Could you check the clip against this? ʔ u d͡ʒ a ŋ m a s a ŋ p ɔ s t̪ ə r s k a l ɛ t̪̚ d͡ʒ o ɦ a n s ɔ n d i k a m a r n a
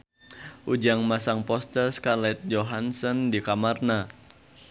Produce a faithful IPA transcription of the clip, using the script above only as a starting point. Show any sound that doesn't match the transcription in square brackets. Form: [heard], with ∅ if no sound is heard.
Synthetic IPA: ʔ u d͡ʒ a ŋ m a s a ŋ p ɔ s t̪ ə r s k a l ɛ t̪̚ d͡ʒ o ɦ a n s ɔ n d i k a m a r n a